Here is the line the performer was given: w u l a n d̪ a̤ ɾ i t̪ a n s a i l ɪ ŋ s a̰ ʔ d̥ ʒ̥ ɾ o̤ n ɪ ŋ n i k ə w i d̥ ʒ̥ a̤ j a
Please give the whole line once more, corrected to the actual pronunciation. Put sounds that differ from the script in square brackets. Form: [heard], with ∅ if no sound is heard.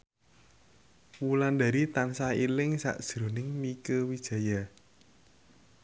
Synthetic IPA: w u l a n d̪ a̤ ɾ i t̪ a n s a i l ɪ ŋ s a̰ ʔ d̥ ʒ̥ ɾ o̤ n ɪ ŋ [m] i k ə w i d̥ ʒ̥ a̤ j a